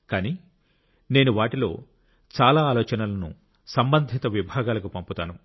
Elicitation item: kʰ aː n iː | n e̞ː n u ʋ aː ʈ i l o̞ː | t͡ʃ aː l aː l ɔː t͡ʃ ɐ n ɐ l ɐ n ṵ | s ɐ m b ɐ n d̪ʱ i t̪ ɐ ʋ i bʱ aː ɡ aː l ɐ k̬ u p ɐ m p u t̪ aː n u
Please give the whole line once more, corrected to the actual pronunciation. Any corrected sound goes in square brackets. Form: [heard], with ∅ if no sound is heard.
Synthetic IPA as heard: [k] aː n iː | n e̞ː n u ʋ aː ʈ i l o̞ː | t͡ʃ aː l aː l ɔː t͡ʃ ɐ n ɐ l ɐ n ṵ | s ɐ m b ɐ n d̪ʱ i t̪ ɐ ʋ i bʱ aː ɡ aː l ɐ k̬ u p ɐ m p u t̪ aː n u